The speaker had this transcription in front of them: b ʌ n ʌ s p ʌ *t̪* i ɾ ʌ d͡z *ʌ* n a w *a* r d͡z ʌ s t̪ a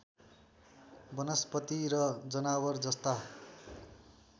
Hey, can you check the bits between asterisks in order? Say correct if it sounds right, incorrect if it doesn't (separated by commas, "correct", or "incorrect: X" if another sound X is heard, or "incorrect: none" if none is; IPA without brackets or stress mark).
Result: correct, correct, incorrect: ʌ